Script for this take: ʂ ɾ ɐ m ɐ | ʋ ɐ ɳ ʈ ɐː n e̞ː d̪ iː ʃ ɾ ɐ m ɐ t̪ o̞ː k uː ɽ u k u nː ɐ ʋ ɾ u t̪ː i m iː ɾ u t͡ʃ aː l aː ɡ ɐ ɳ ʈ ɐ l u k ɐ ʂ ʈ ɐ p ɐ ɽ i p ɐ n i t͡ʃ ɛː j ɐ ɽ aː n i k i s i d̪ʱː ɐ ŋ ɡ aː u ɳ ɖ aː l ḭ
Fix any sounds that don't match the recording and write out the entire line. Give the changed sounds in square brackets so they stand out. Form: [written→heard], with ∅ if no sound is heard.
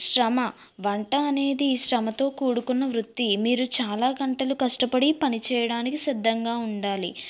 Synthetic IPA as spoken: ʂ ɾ ɐ m ɐ | ʋ ɐ ɳ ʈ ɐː n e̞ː d̪ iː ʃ ɾ ɐ m ɐ t̪ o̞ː k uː ɽ u k u nː ɐ ʋ ɾ u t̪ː i m iː ɾ u t͡ʃ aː l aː ɡ ɐ ɳ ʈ ɐ l u k ɐ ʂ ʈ ɐ p ɐ ɽ i p ɐ n i t͡ʃ ɛː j ɐ ɽ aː n i k i s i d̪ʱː ɐ ŋ ɡ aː u ɳ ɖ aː l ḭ